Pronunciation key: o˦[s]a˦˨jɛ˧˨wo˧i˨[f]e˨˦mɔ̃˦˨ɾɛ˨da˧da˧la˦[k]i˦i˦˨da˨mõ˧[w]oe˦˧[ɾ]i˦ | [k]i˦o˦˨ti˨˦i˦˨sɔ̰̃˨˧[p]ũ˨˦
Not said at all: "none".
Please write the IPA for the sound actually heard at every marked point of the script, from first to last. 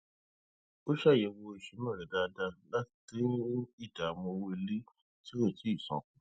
ʃ, ʃ, t, w, l, t, k

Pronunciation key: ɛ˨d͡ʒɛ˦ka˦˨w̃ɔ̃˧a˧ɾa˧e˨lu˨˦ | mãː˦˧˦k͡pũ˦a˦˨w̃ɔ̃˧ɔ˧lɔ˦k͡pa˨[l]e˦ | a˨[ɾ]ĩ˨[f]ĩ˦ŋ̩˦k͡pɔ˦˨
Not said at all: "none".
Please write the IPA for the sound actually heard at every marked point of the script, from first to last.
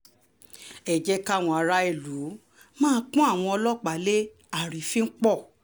l, ɾ, f

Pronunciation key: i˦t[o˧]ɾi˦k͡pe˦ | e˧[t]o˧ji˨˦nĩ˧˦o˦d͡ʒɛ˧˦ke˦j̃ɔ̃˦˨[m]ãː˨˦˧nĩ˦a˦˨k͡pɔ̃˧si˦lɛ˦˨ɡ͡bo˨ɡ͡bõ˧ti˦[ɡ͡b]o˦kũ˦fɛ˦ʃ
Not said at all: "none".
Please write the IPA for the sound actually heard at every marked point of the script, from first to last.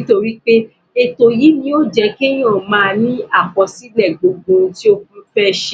o˧, t, m, none

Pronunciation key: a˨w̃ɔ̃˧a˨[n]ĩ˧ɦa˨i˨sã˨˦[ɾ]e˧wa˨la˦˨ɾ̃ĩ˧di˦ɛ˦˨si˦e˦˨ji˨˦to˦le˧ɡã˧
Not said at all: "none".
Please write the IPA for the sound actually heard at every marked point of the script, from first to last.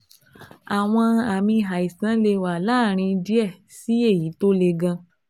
m, l

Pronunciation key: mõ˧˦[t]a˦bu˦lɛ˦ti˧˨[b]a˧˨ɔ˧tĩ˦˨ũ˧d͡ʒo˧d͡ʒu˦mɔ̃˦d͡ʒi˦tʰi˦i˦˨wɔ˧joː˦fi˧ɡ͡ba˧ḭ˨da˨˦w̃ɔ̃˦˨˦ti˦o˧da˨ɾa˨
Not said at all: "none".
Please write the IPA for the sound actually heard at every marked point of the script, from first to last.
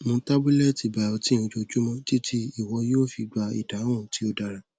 t, b

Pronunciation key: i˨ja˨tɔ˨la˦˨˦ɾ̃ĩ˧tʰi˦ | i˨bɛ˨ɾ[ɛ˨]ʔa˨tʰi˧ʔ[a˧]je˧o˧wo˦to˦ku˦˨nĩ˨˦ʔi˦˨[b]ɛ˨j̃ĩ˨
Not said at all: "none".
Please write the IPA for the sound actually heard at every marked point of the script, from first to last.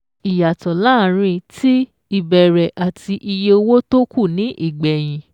ɛ˨, i˧, ɡ͡b

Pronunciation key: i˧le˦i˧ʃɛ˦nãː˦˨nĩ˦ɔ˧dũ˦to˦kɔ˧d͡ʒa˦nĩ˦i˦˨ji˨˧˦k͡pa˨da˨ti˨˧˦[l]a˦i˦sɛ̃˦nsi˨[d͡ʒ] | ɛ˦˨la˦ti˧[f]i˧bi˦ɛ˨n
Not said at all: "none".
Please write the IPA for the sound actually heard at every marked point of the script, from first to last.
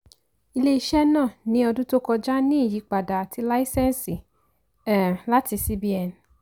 l, none, s

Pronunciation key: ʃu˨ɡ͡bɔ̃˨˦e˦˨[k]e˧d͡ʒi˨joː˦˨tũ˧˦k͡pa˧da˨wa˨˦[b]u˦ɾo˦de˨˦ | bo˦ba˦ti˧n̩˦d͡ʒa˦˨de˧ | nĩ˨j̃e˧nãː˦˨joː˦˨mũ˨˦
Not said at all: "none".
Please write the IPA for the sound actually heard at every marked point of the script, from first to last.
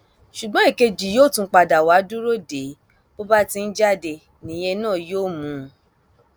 k, d

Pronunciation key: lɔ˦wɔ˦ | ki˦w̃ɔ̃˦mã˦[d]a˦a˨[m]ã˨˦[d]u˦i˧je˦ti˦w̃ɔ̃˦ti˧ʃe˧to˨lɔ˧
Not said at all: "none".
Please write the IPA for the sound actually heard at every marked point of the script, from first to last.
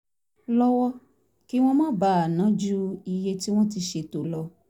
b, n, d͡ʒ

